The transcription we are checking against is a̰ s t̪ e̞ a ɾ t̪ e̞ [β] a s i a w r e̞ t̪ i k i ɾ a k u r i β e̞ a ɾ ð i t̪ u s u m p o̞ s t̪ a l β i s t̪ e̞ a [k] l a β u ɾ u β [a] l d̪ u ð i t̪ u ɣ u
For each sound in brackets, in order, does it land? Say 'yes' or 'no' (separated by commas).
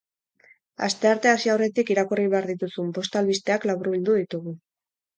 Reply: no, yes, no